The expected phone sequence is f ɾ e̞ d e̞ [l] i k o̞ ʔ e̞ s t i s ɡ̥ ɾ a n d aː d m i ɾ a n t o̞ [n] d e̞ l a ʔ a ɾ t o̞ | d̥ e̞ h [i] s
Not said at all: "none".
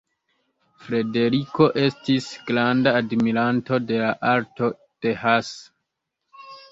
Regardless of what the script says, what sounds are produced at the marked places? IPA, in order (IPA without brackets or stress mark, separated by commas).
ɾ, none, a